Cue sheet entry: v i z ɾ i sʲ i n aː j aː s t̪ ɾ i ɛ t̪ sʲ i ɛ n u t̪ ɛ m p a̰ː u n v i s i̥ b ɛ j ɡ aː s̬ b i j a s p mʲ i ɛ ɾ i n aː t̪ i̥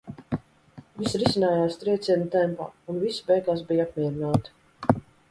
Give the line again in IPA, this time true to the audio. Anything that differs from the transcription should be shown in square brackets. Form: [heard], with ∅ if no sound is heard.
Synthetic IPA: v i [s] ɾ i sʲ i n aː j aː s t̪ ɾ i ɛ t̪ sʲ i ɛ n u t̪ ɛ m p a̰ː u n v i s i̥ b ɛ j ɡ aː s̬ b i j a [∅] p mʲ i ɛ ɾ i n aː t̪ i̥